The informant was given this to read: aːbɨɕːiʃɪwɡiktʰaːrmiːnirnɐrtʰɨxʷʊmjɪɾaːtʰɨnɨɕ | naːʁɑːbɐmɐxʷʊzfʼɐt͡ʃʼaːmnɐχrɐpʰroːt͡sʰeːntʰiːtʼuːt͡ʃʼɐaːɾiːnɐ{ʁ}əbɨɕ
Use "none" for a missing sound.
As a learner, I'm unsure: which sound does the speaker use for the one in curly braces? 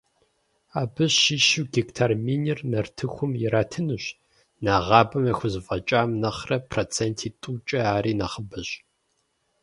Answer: χ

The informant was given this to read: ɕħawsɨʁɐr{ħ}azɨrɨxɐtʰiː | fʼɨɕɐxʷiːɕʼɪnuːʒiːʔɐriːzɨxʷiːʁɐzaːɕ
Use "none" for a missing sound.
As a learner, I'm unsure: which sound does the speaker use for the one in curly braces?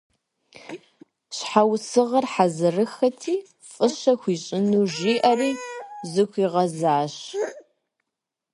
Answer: ħ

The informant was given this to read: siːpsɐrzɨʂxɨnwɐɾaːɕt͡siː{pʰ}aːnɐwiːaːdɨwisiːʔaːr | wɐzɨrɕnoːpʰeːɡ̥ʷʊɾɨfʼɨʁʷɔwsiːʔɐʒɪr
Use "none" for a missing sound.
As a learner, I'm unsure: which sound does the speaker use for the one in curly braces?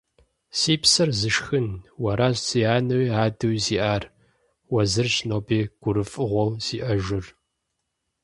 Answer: none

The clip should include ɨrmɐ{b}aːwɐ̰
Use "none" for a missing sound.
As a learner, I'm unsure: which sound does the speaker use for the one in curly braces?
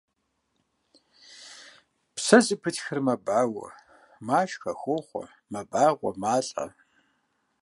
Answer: b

